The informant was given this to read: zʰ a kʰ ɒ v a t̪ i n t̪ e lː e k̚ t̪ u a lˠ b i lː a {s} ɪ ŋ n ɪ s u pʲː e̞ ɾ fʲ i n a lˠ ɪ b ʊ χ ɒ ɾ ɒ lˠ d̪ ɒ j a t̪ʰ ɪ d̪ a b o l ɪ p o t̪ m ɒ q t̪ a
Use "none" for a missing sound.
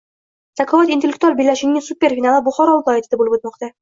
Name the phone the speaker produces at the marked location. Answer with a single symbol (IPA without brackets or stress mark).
ʃ